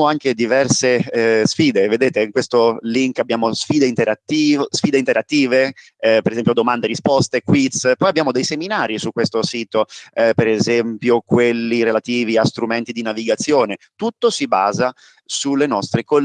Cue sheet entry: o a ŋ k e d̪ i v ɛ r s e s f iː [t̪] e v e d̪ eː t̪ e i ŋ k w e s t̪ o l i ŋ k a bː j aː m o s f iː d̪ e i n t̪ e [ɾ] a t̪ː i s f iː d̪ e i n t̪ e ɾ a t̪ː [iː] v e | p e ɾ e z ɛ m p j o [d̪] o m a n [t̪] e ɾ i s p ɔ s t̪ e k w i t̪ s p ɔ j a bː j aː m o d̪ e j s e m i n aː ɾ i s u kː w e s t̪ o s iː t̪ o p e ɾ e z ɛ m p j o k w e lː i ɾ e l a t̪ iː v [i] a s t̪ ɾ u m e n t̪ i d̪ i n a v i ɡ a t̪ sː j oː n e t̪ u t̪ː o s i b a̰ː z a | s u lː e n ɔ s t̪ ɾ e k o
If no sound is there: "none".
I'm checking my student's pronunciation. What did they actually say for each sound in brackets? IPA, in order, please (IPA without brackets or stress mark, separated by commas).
d̪, ɾ, iː, d̪, d̪, i